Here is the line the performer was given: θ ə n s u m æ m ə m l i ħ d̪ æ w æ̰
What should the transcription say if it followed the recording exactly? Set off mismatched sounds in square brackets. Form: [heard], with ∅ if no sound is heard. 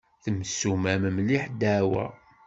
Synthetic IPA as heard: θ ə [m] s u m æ m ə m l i ħ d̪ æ w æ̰